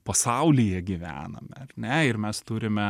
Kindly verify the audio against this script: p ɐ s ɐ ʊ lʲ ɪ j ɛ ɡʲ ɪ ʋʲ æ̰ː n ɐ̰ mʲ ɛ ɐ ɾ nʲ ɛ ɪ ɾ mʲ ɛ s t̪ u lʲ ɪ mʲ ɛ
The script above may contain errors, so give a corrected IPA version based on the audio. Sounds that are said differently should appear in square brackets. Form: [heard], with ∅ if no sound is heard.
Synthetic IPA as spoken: p ɐ s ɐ ʊ lʲ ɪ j ɛ ɡʲ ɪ ʋʲ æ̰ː n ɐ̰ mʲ ɛ ɐ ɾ nʲ ɛ ɪ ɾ mʲ ɛ s t̪ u [ɾʲ] ɪ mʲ ɛ